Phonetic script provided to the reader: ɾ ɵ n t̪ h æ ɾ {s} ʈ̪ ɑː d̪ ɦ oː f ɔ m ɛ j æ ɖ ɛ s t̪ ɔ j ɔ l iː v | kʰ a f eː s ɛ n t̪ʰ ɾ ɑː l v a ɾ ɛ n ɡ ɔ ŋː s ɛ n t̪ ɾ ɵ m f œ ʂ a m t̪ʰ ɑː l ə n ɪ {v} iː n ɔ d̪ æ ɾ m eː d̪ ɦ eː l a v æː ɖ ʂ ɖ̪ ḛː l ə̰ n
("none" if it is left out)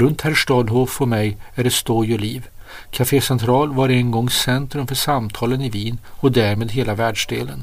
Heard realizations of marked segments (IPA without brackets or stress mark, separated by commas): ʂ, v